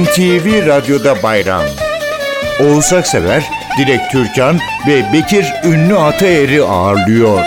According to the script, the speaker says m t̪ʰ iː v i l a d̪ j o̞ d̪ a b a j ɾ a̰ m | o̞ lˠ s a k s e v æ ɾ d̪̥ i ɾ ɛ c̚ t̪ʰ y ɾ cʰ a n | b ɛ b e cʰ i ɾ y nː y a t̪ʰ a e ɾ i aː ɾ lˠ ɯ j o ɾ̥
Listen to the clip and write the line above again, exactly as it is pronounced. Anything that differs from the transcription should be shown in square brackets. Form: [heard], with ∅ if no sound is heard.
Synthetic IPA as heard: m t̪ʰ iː v i [ɾ] a d̪ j o̞ d̪ a b a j ɾ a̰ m | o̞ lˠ s a k s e v æ ɾ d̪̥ i ɾ ɛ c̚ t̪ʰ y ɾ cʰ a n | [v] ɛ b e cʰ i ɾ y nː y a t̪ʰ a e ɾ i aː ɾ lˠ ɯ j o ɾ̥